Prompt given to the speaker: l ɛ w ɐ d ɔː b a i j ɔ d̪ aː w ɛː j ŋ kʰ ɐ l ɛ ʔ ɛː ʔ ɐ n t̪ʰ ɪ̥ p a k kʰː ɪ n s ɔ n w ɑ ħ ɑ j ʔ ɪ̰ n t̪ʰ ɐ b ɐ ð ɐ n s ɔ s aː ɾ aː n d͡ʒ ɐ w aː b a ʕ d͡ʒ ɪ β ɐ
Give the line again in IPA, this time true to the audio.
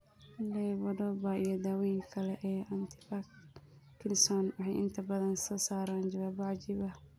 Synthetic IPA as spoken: l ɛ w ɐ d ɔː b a i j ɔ d̪ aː w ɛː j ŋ kʰ ɐ l ɛ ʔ ɛː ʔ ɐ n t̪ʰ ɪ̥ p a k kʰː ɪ n s ɔ n w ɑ ħ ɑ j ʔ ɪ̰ n t̪ʰ ɐ b ɐ ð ɐ n s ɔː s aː ɾ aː n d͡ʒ ɐ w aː b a ʕ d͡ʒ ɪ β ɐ